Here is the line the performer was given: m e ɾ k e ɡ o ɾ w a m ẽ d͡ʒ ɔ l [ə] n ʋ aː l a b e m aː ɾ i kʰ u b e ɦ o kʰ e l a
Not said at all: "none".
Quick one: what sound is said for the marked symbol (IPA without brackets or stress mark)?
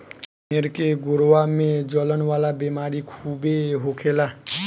ə